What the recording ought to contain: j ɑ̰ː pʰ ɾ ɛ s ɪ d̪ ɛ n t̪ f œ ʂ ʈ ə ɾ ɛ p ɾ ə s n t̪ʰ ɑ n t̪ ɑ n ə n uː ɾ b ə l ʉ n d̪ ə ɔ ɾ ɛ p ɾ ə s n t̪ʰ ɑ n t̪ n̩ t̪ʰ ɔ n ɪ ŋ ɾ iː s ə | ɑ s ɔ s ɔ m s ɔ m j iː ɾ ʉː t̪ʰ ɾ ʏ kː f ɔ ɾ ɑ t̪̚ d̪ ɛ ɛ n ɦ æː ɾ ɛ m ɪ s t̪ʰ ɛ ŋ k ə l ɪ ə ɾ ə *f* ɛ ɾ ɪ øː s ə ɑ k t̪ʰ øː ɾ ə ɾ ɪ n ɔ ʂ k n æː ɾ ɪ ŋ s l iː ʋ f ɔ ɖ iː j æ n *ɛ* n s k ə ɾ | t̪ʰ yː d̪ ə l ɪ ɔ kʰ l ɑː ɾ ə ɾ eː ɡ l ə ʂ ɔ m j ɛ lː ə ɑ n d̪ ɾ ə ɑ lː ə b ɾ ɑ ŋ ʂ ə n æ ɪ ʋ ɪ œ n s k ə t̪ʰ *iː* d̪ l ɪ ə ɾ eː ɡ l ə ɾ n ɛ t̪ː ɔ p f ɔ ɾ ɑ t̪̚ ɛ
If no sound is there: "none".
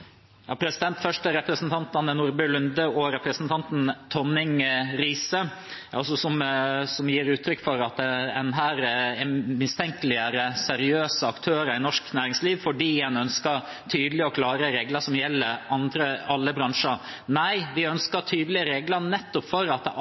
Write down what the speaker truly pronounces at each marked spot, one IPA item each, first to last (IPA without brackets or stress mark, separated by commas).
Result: s, œ, yː